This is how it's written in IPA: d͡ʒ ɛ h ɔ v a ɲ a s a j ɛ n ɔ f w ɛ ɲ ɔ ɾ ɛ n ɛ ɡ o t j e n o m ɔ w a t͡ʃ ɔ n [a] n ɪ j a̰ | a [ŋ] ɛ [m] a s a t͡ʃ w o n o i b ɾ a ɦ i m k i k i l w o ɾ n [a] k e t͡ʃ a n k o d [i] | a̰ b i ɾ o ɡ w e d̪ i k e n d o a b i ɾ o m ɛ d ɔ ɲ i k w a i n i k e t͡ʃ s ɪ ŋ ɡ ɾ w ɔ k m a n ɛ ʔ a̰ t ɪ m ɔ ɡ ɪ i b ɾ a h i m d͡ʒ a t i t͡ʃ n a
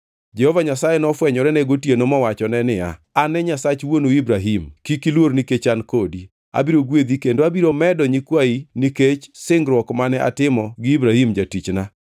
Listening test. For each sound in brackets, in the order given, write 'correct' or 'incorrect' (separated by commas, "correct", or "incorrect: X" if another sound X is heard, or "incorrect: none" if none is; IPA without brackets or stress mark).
incorrect: ɛ, incorrect: n, incorrect: ɲ, incorrect: i, correct